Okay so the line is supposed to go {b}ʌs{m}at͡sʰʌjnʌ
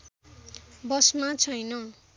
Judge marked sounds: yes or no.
yes, yes

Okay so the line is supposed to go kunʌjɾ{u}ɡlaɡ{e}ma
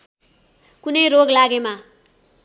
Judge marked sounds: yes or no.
no, yes

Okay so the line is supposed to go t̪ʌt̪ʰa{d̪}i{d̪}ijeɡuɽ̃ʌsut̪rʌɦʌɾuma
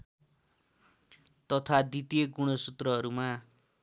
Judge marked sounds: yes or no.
yes, no

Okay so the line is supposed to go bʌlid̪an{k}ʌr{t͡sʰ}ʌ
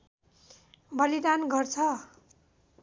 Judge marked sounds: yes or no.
no, yes

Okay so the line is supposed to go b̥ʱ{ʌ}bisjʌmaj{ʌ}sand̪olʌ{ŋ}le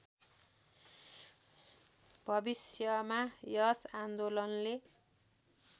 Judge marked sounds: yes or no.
yes, yes, no

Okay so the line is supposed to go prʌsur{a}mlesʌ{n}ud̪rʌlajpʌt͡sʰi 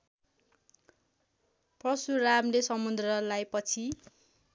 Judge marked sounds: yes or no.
yes, no

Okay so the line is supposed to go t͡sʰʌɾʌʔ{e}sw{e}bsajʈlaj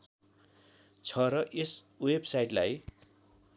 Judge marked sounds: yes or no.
yes, yes

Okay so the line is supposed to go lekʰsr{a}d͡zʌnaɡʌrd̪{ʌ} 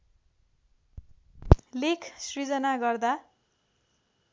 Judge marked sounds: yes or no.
no, no

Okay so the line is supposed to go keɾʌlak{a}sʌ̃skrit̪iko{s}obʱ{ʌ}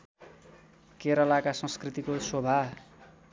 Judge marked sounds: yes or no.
yes, yes, no

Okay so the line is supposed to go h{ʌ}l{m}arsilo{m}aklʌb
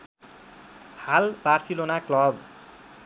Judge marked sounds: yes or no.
no, no, no

